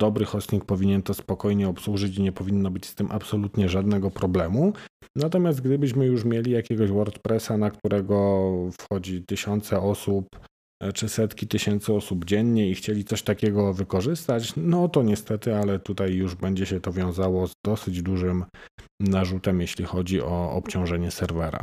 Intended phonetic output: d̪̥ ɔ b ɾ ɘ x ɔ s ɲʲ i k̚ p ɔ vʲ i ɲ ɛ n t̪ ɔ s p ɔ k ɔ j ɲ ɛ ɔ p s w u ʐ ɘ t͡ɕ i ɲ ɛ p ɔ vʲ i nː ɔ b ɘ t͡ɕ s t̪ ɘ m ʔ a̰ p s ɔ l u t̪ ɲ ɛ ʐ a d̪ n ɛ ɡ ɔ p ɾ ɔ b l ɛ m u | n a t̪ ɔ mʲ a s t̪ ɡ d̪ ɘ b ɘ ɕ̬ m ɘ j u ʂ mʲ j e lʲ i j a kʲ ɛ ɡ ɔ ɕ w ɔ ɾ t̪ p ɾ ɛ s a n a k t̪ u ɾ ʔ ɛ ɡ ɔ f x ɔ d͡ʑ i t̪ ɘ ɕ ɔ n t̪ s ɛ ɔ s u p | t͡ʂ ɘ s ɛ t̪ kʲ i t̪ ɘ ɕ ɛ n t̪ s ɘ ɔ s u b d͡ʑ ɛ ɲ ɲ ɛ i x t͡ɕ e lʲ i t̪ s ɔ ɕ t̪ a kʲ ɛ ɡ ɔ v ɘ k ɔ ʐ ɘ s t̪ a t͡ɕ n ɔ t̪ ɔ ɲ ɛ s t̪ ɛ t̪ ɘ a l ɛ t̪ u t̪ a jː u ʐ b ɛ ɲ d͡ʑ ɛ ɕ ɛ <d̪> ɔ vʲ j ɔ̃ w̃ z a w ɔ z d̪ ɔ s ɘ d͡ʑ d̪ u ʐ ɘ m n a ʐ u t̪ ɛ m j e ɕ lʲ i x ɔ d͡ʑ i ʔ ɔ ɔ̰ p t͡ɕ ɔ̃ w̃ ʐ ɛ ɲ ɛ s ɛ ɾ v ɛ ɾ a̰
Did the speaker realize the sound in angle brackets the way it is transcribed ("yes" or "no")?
no